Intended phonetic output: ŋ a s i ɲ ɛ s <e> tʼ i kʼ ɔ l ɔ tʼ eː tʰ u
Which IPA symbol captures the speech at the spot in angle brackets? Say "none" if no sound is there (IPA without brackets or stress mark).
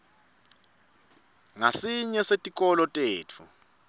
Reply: e